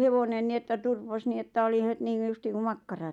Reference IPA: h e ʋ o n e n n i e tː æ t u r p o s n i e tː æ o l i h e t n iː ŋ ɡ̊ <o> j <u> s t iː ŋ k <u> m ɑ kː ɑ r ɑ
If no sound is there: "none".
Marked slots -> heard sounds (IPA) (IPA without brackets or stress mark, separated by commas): u, u, u